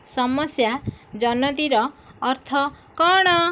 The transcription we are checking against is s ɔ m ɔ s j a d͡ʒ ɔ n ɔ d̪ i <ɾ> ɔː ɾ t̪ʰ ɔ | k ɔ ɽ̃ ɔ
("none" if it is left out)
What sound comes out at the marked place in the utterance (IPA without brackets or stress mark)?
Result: ɾ